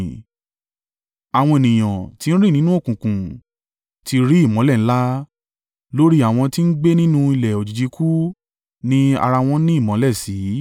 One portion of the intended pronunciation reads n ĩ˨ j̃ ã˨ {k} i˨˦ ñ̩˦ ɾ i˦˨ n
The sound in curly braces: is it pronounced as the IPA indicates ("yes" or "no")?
no